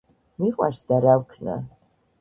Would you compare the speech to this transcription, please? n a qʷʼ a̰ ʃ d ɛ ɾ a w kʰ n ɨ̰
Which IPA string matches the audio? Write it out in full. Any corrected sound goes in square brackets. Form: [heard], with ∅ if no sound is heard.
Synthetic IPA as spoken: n [i] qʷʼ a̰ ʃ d [a] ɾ a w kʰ n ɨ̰